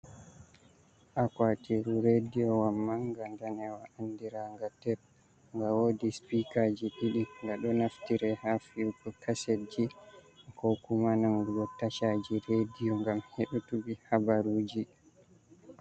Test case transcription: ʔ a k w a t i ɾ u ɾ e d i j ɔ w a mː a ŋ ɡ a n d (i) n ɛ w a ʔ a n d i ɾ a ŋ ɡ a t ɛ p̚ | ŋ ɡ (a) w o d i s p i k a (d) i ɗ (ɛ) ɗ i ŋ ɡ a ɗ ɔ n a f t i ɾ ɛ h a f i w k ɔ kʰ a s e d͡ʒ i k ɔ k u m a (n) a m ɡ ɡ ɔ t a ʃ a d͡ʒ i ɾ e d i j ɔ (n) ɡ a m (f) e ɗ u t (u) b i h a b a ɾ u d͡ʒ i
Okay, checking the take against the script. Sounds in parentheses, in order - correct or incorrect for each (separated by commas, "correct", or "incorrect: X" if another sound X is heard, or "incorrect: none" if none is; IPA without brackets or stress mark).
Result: incorrect: a, correct, incorrect: d͡ʒ, incorrect: i, correct, incorrect: ŋ, incorrect: h, correct